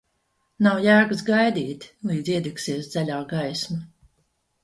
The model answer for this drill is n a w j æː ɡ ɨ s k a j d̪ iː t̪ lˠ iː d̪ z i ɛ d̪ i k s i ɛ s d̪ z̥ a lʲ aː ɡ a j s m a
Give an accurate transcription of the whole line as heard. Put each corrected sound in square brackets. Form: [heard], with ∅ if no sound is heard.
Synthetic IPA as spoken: n a w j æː ɡ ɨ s [ɡ] a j d̪ iː t̪ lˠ iː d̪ z i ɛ d̪ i k s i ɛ s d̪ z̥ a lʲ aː ɡ a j s m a